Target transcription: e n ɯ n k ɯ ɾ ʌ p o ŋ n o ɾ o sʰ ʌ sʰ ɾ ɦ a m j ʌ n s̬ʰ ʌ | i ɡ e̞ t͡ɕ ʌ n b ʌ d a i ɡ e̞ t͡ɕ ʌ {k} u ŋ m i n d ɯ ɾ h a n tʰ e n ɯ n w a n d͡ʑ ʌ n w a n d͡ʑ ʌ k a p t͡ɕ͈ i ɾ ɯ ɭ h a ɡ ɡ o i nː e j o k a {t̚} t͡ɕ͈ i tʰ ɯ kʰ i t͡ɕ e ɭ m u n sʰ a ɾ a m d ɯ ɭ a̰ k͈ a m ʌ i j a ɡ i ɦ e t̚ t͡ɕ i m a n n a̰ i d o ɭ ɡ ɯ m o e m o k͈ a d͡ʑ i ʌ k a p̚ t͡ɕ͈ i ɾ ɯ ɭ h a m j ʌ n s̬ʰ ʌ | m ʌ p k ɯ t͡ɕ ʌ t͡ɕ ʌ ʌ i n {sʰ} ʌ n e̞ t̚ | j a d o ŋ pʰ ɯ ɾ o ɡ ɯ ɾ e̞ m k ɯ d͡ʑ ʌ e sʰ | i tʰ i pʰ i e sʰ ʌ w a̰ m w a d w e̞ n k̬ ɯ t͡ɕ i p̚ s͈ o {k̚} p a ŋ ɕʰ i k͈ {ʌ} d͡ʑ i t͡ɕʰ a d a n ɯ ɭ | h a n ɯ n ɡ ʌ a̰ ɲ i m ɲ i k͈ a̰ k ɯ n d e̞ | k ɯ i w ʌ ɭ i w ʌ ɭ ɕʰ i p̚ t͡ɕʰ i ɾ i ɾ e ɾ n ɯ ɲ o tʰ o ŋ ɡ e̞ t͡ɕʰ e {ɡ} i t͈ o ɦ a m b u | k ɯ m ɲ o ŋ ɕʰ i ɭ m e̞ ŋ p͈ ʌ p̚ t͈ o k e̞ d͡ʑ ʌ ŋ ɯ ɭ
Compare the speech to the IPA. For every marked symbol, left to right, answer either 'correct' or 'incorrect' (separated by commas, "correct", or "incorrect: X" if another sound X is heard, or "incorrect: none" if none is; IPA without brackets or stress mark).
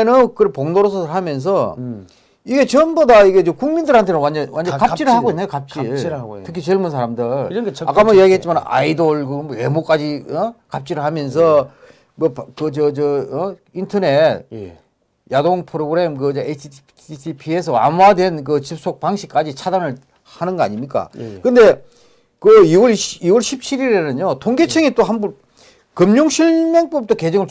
correct, incorrect: p̚, incorrect: tʰ, correct, incorrect: a, incorrect: ŋ